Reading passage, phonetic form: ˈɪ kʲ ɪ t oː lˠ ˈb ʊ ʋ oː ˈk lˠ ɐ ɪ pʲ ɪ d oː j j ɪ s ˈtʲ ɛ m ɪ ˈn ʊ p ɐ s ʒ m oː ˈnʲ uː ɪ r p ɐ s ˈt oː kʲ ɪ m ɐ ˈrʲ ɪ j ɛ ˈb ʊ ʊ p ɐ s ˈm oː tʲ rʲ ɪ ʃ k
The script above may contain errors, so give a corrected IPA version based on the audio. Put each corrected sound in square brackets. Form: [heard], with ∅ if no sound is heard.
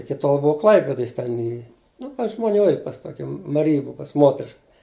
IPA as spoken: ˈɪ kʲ ɪ t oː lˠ ˈb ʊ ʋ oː ˈk lˠ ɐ ɪ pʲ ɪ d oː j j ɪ s ˈtʲ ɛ [n] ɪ ˈn ʊ p ɐ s ʒ m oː ˈnʲ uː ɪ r p ɐ s ˈt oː kʲ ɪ m ɐ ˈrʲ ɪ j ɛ ˈb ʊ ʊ p ɐ s ˈm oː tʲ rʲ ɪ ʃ k